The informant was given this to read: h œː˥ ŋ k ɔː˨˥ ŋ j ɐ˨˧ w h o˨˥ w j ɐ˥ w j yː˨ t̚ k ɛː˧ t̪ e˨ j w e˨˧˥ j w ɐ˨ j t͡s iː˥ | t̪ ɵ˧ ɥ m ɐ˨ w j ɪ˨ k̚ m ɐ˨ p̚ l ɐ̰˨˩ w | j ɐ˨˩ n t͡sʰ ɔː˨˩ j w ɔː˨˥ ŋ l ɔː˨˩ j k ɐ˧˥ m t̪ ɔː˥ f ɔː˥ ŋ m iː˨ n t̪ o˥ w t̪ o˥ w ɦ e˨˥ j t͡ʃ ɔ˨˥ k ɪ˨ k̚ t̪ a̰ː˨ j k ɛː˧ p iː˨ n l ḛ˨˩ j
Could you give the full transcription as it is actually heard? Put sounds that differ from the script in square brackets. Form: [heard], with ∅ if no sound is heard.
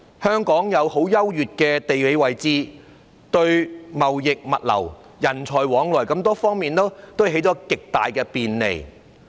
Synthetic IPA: h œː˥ ŋ k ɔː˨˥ ŋ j ɐ˨˧ w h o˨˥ w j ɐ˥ w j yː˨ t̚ k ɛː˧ t̪ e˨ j w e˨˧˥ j w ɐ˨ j t͡s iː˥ | t̪ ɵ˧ ɥ m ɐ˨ w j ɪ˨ k̚ m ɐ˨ [t̚] l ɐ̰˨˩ w | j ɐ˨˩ n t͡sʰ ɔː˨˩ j w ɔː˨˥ ŋ l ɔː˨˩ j k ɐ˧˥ m t̪ ɔː˥ f ɔː˥ ŋ m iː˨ n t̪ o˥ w t̪ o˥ w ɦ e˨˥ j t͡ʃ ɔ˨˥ k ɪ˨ k̚ t̪ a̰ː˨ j k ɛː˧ p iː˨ n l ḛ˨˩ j